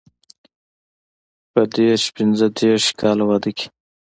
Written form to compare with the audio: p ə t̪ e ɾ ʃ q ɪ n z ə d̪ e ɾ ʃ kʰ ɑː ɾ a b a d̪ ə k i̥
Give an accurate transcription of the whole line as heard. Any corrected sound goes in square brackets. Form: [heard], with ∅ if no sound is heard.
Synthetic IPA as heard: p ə [d̪] e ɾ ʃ [p] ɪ n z ə d̪ e ɾ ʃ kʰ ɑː [l] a [w] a d̪ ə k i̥